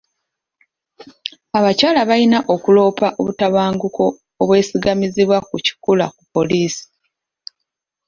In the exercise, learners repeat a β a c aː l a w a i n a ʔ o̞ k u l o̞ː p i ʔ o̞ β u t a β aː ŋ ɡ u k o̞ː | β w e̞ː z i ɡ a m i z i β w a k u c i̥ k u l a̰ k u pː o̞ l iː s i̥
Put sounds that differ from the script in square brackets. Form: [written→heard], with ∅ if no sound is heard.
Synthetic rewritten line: a β a c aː l a [w→β] a i n a ʔ o̞ k u l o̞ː p [i→a] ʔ o̞ β u t a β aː ŋ ɡ u k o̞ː | β w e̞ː [z→s] i ɡ a m i z i β w a k u c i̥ k u l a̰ k u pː o̞ l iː s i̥